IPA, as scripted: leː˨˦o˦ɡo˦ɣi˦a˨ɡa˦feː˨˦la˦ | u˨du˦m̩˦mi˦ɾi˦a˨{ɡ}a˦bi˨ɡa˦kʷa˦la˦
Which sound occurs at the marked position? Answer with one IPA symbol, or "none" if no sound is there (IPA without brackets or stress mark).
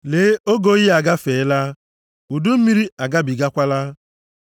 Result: ɡ